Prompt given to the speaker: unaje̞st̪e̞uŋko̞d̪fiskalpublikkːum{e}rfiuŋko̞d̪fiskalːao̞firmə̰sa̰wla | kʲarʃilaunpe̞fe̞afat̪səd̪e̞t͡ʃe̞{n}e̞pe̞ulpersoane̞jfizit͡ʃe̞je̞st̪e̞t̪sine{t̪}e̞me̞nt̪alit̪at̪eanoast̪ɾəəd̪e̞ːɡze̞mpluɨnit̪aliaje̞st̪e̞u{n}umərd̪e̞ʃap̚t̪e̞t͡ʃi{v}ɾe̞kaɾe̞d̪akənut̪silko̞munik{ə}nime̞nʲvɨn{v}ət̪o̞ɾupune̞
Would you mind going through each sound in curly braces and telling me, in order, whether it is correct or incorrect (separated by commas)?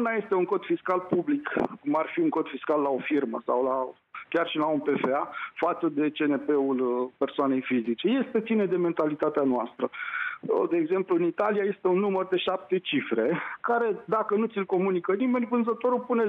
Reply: incorrect, correct, incorrect, incorrect, incorrect, correct, incorrect